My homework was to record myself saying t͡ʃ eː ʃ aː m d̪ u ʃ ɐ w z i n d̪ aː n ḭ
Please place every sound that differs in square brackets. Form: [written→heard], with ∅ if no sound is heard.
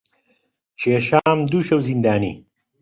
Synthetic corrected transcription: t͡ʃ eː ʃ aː m d̪ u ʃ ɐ w z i n d̪ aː n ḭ